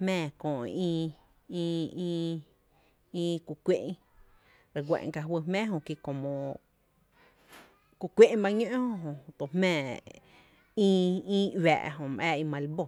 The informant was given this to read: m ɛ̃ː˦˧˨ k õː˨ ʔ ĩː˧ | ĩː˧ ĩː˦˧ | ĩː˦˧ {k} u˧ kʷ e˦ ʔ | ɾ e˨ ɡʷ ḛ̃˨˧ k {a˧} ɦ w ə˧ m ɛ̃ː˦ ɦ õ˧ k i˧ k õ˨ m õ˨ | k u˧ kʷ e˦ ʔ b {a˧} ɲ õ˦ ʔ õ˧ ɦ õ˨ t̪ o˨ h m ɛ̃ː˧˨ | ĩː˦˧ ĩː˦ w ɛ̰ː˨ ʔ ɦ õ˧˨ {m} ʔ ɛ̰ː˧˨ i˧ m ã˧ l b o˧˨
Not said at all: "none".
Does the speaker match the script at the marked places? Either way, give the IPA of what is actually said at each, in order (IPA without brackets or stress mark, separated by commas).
k, a˧, a˧, m